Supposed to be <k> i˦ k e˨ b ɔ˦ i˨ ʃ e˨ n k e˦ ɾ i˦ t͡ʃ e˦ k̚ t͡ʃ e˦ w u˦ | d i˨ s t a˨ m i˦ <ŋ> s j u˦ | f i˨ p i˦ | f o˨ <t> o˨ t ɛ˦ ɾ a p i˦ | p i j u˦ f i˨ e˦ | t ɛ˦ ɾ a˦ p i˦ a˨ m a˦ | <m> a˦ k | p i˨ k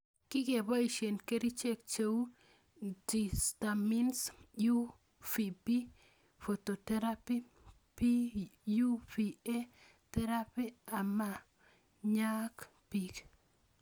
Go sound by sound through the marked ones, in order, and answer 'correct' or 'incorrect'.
correct, incorrect: n, correct, incorrect: ɲ

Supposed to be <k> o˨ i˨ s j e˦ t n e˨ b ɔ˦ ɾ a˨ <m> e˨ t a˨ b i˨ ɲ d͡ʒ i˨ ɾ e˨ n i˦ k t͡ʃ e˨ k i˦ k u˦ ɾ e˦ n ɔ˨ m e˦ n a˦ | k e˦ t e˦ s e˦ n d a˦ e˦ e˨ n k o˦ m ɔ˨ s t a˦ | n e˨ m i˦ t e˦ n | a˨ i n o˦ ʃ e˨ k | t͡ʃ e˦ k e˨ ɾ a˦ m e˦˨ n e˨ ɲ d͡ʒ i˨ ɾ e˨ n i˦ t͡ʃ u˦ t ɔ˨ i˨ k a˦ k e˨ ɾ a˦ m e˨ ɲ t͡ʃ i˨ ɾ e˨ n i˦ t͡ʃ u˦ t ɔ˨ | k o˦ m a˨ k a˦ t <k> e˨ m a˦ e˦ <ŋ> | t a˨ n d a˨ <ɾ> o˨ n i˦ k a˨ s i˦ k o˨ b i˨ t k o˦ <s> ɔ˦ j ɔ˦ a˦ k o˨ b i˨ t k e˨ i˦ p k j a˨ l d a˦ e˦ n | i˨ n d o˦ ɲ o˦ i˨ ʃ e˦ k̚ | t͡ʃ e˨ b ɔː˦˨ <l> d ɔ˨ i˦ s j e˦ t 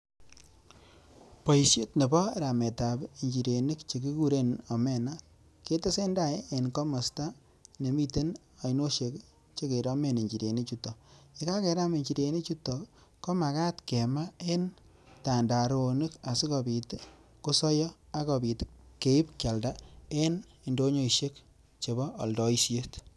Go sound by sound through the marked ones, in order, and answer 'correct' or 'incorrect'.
incorrect: p, correct, correct, incorrect: n, correct, correct, correct

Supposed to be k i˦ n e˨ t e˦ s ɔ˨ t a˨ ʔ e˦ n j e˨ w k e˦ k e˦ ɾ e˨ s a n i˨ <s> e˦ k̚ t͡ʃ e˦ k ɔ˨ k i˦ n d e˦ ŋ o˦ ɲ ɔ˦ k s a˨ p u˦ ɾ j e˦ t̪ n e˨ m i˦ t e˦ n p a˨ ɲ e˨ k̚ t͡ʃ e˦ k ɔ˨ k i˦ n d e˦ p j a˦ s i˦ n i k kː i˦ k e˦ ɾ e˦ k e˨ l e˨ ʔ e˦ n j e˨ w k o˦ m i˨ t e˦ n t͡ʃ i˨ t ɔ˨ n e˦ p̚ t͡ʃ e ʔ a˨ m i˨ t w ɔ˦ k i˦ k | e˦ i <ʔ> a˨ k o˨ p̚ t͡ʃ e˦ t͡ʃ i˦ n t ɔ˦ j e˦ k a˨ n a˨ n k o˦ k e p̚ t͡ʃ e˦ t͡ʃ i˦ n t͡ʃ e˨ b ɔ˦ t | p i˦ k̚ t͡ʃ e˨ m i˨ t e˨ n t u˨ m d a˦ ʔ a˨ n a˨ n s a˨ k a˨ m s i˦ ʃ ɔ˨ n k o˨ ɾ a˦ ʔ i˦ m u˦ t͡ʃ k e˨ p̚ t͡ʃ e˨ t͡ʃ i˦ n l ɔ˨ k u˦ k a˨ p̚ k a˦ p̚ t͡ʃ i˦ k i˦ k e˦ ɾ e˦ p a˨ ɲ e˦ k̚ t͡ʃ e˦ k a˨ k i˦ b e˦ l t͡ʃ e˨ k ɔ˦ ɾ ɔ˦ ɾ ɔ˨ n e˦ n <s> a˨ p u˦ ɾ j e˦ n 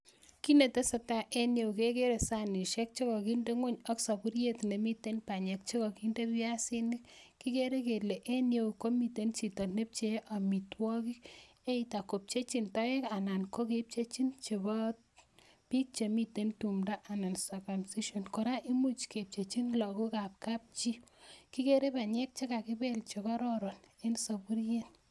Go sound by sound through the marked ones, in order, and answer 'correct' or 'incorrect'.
incorrect: ʃ, incorrect: t, correct

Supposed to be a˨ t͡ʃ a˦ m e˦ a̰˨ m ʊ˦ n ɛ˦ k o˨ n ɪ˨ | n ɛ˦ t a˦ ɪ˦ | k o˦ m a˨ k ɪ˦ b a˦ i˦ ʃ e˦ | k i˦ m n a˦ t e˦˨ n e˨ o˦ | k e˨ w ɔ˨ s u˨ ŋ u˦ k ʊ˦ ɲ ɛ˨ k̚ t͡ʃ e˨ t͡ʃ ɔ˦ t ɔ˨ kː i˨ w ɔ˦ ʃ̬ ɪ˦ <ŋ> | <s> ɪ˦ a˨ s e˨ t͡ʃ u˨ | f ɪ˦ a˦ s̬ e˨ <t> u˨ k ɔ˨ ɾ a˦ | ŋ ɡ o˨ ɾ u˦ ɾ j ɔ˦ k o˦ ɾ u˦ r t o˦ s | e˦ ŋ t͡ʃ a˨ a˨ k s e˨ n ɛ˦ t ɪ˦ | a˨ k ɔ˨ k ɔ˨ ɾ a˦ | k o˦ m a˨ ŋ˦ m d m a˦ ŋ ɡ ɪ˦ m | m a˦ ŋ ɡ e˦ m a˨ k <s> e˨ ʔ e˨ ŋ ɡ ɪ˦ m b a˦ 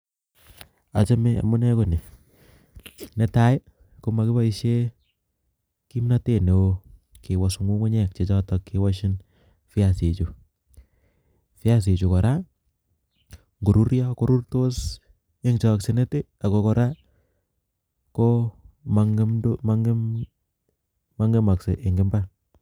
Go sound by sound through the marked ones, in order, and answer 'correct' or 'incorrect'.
incorrect: n, incorrect: f, incorrect: t͡ʃ, correct

